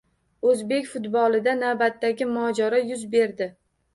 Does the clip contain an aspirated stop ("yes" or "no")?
no